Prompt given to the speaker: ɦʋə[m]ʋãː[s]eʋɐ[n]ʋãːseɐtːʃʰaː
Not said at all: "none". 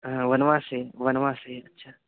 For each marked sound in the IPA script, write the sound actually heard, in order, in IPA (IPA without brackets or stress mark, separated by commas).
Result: n, s, n